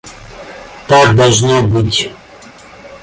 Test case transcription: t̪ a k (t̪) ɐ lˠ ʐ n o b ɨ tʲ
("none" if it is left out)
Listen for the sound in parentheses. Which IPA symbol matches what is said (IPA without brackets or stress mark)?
d̪